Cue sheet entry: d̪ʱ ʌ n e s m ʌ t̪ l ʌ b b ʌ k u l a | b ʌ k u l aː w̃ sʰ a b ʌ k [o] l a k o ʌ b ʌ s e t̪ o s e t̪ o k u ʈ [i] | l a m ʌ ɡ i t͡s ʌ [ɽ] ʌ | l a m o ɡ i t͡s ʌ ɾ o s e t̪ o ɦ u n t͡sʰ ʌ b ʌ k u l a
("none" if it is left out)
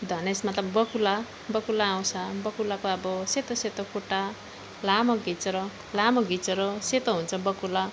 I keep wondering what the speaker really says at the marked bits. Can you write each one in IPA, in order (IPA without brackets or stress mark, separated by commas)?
u, a, ɾ